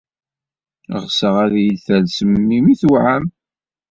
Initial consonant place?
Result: uvular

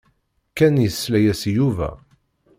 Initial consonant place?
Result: velar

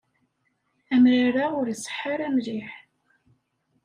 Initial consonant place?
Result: labial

